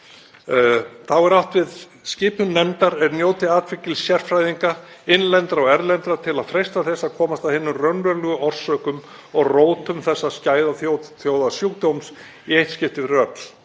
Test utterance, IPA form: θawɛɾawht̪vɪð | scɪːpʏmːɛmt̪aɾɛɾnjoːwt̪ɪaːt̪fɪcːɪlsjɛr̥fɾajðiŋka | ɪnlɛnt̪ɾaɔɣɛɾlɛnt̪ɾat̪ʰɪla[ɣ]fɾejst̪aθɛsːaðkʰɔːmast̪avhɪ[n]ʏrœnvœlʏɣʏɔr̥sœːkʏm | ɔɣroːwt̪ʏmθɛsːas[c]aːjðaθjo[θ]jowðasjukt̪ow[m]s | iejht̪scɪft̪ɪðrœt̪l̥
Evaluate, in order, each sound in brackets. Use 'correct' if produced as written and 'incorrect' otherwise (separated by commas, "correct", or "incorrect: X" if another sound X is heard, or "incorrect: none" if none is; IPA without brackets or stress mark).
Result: incorrect: ð, incorrect: nː, correct, correct, correct